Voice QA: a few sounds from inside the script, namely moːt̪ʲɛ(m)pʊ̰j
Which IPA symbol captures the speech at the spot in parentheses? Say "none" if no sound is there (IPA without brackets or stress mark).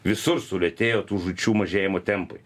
m